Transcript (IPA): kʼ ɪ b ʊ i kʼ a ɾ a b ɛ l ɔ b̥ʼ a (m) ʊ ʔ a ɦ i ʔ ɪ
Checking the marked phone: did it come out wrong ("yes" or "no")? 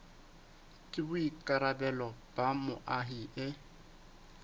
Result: no